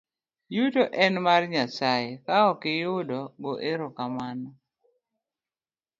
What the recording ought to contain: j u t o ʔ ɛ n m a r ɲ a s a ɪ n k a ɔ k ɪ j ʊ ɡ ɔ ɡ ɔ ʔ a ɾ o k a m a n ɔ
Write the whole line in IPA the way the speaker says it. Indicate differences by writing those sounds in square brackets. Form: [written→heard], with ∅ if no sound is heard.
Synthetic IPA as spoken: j u t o ʔ ɛ n m a r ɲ a s a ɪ [n→∅] k a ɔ k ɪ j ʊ [ɡ→d] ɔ ɡ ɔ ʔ [a→e] ɾ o k a m a n ɔ

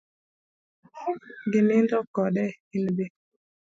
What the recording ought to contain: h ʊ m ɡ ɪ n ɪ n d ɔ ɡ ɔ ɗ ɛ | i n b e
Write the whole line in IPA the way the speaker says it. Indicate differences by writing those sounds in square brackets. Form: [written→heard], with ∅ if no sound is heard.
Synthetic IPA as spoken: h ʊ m ɡ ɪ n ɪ n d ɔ [ɡ→k] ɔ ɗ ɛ | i n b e

